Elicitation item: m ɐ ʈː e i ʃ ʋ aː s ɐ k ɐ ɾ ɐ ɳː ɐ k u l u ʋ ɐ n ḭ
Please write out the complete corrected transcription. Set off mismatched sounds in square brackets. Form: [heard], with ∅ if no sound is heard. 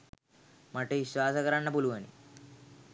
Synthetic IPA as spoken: m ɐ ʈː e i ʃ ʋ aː s ɐ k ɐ ɾ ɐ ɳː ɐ [p] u l u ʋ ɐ n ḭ